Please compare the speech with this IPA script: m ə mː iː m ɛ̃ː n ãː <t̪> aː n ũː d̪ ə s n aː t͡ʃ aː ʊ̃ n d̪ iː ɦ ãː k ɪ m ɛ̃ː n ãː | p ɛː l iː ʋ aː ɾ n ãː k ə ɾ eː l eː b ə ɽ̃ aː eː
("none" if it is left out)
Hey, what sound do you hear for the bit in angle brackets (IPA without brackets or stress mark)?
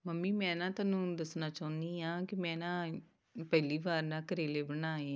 t̪